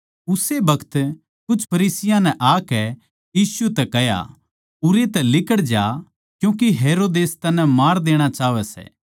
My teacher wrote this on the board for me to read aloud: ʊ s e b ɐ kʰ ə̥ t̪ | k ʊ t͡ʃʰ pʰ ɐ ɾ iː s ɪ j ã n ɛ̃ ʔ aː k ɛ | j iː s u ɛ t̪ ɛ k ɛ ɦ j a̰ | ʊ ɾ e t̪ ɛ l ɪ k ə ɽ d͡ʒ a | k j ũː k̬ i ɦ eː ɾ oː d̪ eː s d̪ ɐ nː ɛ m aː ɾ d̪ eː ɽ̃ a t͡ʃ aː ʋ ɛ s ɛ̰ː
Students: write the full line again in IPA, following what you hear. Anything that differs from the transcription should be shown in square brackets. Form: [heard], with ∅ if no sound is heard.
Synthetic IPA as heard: ʊ s e b ɐ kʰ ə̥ t̪ | k ʊ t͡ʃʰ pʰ ɐ ɾ iː s ɪ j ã n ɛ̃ ʔ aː k ɛ | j iː s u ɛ t̪ ɛ k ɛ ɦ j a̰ | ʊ ɾ e t̪ ɛ l ɪ k ə ɽ d͡ʒ a | k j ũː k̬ i ɦ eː ɾ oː d̪ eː s [t̪] ɐ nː ɛ m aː ɾ d̪ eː ɽ̃ a t͡ʃ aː ʋ ɛ s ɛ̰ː